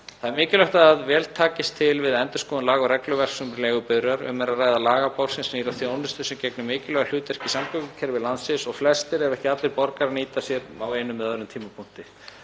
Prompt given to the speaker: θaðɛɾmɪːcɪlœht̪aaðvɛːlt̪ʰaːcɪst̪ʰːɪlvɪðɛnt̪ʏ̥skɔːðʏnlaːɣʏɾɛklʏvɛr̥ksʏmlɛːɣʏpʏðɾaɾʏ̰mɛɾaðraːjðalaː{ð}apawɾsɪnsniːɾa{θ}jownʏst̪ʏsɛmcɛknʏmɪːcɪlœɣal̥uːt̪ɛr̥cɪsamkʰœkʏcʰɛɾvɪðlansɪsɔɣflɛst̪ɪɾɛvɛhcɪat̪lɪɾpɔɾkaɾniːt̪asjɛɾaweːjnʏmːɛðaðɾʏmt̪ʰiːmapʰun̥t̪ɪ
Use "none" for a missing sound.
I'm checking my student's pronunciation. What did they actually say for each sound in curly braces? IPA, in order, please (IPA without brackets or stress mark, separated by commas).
ɣ, θ